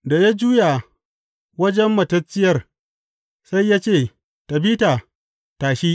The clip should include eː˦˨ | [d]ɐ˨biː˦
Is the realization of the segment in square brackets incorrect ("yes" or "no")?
yes